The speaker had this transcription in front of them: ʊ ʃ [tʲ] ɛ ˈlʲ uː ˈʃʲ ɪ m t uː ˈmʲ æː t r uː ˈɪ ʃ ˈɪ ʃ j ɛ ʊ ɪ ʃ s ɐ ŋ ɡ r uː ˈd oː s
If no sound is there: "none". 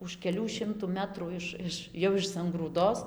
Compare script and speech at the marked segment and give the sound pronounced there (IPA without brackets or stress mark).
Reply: kʲ